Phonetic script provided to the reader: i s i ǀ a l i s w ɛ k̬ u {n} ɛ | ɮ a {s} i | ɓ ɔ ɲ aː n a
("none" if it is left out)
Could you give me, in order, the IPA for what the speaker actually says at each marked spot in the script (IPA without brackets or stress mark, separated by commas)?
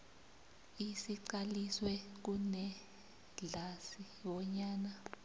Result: n, s